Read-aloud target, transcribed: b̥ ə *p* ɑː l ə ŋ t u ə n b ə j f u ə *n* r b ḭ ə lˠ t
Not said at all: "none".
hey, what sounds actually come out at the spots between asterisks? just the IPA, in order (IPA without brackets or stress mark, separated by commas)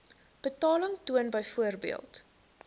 t, none